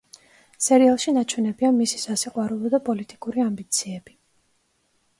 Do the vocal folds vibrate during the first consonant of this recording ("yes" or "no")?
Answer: no